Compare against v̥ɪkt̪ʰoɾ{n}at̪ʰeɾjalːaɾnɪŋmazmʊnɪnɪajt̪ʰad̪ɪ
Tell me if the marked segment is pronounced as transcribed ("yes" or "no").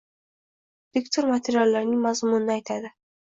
no